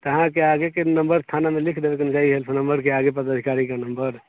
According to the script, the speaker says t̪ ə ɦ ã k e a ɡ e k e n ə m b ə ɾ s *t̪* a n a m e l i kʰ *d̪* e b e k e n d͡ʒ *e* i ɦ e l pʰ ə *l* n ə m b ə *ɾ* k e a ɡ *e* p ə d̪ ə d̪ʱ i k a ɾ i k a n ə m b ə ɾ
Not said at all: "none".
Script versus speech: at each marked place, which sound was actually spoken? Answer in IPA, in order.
t̪ʰ, d̪, a, none, ɾ, e

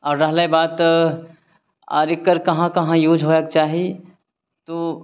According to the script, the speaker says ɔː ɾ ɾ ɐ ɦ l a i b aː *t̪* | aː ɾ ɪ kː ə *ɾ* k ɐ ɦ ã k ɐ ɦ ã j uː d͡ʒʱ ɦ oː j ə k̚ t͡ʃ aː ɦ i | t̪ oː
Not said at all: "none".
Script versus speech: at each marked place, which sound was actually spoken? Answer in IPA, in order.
t̪, ɾ

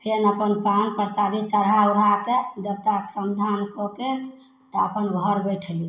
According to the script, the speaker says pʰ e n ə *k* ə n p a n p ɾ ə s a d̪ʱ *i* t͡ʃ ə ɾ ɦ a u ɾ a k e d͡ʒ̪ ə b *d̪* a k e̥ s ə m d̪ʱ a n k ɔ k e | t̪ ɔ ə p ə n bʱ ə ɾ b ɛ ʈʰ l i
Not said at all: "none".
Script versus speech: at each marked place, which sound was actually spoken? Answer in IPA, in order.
p, i, t̪

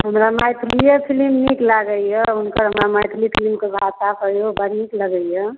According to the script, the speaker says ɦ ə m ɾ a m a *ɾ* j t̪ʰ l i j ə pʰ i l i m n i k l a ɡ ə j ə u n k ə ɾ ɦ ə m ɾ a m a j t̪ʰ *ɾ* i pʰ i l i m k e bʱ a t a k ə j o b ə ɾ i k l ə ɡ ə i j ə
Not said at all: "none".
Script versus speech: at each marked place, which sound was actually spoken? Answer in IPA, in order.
none, l

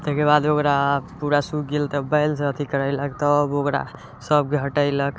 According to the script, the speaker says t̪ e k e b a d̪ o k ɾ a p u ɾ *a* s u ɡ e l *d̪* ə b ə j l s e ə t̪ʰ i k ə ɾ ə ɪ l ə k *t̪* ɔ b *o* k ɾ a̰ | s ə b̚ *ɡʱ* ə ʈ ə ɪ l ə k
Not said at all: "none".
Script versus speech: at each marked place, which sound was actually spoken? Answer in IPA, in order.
a, t̪, t̪, o, ɡʱ

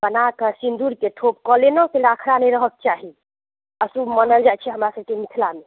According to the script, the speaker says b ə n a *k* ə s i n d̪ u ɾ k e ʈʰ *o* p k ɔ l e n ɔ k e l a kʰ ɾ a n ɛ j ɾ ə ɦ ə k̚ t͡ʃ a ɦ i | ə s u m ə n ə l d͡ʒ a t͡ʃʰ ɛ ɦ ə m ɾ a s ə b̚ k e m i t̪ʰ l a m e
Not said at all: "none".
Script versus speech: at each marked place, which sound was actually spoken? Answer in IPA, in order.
k, o

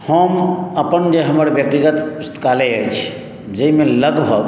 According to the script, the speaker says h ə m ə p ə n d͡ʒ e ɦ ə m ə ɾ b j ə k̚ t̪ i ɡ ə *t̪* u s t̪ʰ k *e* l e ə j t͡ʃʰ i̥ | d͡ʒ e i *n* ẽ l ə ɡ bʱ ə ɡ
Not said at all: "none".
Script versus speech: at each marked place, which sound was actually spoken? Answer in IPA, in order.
t̪, a, m

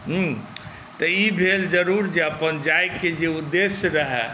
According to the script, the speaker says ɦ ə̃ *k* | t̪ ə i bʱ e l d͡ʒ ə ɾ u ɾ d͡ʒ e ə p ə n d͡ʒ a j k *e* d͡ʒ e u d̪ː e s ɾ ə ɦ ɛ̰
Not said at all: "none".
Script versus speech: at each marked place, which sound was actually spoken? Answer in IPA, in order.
none, e

